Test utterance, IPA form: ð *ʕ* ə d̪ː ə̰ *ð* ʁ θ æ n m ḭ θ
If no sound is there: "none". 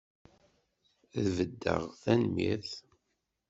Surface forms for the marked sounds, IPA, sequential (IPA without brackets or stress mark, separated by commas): v, none